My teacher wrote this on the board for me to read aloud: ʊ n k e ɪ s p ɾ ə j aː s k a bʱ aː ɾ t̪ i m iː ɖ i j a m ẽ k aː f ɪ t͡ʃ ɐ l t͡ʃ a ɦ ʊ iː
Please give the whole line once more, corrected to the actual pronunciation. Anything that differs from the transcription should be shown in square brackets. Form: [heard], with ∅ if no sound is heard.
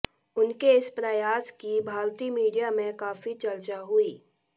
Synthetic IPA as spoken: ʊ n k e ɪ s p ɾ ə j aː s k [i] bʱ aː ɾ t̪ i m iː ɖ i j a m ẽ k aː f [i] t͡ʃ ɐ l t͡ʃ a ɦ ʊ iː